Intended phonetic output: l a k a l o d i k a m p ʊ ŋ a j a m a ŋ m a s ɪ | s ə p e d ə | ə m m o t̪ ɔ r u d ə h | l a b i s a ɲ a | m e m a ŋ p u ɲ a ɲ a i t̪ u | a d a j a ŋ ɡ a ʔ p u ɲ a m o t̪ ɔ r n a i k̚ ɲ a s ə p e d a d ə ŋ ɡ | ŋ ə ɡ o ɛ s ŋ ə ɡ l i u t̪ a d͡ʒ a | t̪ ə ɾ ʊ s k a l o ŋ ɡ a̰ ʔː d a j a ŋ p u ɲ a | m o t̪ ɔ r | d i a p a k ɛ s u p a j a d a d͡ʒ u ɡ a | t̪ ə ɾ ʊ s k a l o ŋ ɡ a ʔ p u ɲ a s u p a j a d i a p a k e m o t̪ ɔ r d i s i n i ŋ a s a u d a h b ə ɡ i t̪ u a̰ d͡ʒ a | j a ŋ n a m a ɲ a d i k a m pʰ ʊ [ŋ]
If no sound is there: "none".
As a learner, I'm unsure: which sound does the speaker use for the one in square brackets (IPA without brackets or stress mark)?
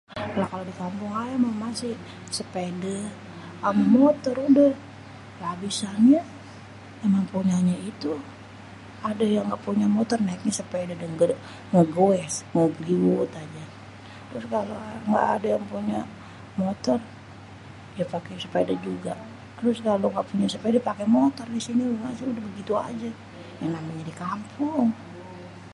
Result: ŋ